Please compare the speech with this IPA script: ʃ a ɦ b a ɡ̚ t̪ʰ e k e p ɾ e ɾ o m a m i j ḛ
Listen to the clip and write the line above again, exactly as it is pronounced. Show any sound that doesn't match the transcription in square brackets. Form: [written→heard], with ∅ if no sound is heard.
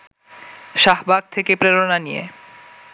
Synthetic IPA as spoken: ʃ a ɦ b a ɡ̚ t̪ʰ e k e p ɾ e ɾ o [m→n] a [m→n] i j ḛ